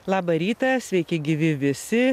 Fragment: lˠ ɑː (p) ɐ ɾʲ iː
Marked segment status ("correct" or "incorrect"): incorrect